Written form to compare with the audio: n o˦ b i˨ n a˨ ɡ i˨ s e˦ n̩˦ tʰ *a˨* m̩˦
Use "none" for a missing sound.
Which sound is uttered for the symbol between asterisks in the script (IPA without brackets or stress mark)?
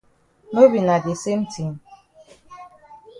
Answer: i˨